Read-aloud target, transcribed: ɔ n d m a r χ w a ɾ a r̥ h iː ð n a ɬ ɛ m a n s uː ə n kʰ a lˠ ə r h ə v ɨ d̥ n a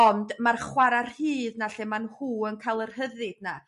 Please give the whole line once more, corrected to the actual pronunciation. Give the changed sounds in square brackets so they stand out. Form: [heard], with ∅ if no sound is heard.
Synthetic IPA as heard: ɔ n d m a r χ w a ɾ a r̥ h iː ð n a ɬ ɛ m a n [h] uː ə n kʰ a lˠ ə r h ə [ð] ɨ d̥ n a